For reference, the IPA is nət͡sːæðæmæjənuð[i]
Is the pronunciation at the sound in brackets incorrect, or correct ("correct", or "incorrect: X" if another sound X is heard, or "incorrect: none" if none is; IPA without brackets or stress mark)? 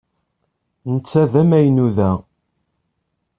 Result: incorrect: æ